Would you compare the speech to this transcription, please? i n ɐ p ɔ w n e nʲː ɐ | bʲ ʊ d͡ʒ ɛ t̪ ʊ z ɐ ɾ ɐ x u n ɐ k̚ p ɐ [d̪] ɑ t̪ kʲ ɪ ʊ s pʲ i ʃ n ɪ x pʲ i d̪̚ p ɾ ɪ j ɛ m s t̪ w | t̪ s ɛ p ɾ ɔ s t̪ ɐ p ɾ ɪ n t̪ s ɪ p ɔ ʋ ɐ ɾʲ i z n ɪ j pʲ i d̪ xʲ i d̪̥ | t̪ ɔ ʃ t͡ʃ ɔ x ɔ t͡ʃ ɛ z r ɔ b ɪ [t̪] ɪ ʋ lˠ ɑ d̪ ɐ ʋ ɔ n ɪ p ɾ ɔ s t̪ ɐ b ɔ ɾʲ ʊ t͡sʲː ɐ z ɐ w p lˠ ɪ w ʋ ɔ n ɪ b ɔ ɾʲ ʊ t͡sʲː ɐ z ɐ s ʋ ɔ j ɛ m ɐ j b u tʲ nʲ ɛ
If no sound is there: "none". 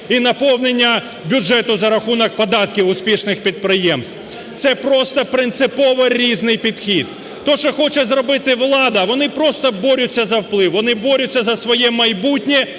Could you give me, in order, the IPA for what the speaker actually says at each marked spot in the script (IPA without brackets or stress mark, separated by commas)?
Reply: d̪, t̪